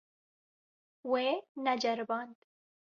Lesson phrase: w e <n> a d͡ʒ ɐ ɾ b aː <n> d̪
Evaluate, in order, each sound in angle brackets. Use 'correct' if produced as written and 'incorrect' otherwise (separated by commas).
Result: correct, correct